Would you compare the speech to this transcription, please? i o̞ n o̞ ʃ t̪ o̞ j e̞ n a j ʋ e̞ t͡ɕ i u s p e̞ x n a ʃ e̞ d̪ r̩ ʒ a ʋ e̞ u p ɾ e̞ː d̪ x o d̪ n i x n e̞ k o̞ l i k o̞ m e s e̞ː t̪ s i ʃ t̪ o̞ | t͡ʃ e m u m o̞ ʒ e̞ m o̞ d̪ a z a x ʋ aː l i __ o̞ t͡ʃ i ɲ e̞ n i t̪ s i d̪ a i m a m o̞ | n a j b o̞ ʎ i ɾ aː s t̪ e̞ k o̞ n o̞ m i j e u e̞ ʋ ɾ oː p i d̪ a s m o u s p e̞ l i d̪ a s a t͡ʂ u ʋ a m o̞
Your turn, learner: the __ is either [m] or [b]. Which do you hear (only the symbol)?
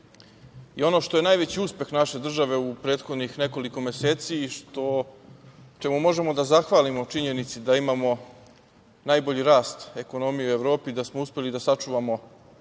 m